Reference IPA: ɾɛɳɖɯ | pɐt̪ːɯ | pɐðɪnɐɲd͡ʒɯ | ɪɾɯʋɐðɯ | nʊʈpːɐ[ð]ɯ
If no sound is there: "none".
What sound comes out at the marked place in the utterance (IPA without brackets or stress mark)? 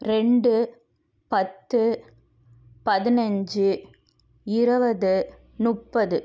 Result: ð